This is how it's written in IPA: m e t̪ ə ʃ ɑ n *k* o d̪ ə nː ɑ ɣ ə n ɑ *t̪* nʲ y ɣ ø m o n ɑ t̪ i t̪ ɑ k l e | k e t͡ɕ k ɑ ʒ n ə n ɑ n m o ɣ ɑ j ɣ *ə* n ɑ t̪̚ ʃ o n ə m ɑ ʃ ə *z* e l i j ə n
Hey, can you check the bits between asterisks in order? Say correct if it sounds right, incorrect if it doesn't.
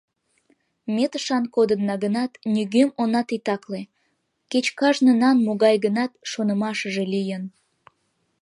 correct, correct, correct, incorrect: ʒ

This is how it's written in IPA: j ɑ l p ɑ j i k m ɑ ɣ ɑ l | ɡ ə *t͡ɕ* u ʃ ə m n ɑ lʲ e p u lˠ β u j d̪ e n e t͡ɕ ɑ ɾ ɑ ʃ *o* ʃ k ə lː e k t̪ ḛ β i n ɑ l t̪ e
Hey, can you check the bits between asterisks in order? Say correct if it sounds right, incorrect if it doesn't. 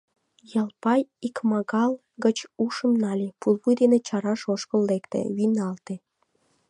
correct, correct

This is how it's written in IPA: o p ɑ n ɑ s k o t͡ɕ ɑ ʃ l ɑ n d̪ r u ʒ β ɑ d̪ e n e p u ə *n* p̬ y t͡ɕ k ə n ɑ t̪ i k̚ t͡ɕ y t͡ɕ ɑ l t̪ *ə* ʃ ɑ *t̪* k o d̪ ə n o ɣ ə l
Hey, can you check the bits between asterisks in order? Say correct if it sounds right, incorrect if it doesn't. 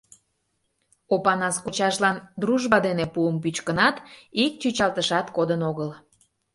incorrect: m, correct, correct

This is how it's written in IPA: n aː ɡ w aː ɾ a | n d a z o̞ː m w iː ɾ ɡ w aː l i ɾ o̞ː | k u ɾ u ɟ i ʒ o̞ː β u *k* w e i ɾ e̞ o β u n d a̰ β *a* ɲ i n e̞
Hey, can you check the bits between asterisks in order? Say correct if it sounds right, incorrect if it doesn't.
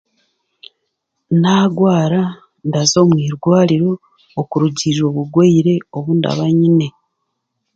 incorrect: ɡ, correct

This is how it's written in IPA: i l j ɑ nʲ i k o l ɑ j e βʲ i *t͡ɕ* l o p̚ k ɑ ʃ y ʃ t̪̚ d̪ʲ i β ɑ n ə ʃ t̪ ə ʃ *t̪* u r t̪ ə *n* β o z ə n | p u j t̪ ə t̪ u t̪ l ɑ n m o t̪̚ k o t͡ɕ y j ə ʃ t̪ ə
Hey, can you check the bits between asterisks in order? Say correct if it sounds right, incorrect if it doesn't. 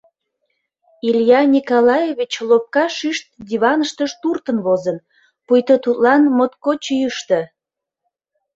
correct, correct, correct

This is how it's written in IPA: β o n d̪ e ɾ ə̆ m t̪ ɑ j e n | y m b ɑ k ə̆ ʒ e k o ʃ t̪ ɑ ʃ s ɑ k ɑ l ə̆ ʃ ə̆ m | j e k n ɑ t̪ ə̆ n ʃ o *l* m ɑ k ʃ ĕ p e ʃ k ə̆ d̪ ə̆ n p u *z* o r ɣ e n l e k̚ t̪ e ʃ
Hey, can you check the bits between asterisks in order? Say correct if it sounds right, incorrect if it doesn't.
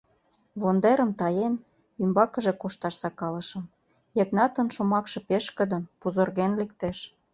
incorrect: none, correct

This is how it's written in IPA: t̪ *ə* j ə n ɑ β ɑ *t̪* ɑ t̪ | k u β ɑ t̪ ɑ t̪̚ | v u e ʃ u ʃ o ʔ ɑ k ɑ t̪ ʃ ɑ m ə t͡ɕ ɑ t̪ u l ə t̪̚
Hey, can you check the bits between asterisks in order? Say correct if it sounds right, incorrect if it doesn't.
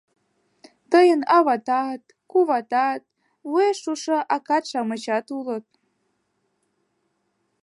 correct, correct

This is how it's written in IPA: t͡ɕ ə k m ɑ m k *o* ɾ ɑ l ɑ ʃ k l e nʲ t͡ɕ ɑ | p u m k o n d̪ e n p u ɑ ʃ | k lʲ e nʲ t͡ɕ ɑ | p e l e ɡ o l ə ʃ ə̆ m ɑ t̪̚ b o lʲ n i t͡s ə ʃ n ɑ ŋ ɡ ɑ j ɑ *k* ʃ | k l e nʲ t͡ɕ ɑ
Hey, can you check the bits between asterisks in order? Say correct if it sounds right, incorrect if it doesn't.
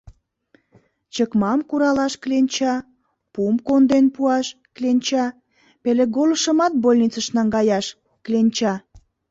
incorrect: u, incorrect: none

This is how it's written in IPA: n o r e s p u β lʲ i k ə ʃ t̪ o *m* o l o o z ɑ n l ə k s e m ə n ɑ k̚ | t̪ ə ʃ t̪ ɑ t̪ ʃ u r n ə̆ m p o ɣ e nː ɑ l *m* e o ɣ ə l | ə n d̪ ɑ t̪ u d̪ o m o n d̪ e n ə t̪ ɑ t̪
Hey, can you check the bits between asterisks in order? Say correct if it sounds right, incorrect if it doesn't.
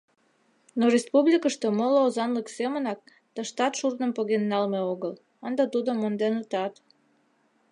correct, correct

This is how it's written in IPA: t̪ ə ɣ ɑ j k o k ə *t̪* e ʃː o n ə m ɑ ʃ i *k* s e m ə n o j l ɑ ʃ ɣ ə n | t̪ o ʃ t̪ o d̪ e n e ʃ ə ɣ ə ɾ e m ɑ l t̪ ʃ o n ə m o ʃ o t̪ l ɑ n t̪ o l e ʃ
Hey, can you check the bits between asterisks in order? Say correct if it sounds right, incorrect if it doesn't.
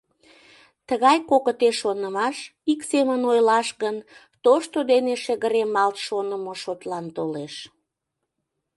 correct, correct

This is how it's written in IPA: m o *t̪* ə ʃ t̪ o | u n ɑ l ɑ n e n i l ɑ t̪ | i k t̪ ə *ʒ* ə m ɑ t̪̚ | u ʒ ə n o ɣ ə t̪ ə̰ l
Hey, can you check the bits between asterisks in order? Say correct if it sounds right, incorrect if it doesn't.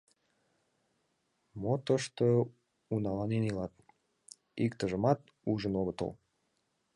correct, correct

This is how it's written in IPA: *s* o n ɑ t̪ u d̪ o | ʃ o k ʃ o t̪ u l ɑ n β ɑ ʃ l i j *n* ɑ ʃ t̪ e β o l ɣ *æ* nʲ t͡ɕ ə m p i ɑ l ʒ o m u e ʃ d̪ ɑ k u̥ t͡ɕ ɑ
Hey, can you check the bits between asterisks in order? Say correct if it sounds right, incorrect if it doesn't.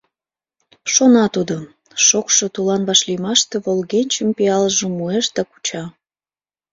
incorrect: ʃ, incorrect: m, incorrect: e

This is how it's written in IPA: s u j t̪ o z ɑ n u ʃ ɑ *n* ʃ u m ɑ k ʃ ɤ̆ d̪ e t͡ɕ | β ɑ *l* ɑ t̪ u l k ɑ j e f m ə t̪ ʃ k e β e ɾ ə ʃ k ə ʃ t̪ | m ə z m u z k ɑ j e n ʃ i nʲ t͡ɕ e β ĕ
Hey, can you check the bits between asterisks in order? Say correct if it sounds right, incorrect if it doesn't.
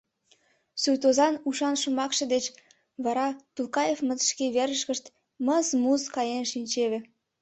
correct, incorrect: ɾ

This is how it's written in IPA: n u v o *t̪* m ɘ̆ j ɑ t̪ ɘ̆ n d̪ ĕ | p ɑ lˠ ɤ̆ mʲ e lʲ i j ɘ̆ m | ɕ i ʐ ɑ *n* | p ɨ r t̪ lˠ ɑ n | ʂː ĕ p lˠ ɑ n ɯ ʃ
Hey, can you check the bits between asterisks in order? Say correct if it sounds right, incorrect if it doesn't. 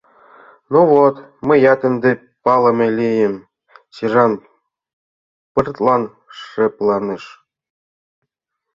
correct, correct

